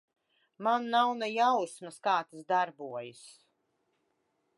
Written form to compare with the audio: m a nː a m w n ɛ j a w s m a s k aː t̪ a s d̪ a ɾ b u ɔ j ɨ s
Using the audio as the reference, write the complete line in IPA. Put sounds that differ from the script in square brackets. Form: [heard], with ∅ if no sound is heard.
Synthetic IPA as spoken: m a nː a [∅] w n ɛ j a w s m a s k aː t̪ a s d̪ a ɾ b u ɔ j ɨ s